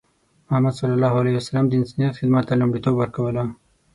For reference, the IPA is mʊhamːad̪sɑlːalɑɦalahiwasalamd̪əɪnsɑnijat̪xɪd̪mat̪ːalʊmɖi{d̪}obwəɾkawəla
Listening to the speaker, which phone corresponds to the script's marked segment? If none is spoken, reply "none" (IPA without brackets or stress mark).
t̪